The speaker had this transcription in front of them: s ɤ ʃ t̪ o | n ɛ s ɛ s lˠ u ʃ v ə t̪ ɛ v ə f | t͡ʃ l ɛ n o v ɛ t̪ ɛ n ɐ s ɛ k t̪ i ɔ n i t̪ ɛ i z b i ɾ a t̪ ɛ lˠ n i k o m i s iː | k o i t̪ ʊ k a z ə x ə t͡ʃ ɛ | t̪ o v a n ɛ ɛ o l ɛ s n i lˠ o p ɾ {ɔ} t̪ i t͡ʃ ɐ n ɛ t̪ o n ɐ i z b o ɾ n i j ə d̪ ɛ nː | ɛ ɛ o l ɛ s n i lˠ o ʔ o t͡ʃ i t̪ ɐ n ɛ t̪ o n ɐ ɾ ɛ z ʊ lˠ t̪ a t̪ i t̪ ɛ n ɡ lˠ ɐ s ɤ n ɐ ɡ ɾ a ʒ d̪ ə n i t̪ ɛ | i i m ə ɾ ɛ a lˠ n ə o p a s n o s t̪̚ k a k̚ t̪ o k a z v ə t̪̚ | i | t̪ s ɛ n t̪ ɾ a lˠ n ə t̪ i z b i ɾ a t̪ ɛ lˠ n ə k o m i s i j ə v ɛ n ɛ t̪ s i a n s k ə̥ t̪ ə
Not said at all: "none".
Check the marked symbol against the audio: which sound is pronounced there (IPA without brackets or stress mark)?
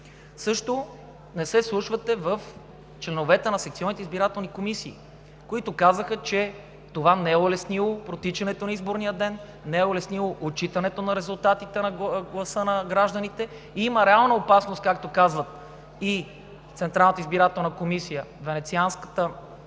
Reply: o